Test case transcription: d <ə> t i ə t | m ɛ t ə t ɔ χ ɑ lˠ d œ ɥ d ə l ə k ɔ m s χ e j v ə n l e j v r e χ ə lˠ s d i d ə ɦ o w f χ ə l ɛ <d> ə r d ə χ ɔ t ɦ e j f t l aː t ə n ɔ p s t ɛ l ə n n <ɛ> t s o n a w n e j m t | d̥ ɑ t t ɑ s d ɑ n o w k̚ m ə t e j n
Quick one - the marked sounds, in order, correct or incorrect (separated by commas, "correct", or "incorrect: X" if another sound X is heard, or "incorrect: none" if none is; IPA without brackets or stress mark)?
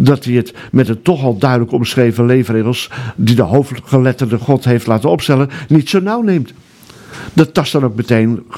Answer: incorrect: ɑ, incorrect: t, incorrect: i